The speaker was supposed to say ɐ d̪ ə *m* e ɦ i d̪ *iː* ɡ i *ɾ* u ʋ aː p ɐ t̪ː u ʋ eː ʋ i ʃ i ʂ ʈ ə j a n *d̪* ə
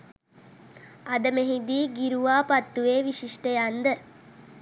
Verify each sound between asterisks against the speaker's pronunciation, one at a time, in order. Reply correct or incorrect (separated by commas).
correct, correct, correct, correct